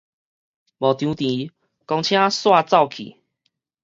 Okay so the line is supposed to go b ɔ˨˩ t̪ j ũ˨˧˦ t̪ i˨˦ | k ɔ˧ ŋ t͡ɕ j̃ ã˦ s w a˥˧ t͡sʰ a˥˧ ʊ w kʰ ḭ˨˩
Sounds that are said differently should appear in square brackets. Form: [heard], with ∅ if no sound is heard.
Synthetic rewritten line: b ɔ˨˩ t̪ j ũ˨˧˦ t̪ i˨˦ | k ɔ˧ ŋ [t͡ɕʰ] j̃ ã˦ s w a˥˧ [t͡s] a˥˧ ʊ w kʰ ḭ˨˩